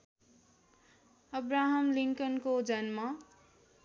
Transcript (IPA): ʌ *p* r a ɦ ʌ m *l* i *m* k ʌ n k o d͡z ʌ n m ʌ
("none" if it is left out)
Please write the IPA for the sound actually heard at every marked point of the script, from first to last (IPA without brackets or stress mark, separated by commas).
b, l, ŋ